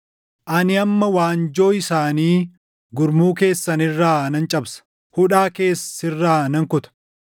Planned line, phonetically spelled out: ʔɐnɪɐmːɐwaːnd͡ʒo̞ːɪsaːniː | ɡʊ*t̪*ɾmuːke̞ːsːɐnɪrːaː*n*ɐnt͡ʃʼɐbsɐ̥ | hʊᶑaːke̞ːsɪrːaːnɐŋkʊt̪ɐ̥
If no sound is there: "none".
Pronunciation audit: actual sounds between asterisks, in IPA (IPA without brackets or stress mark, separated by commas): none, n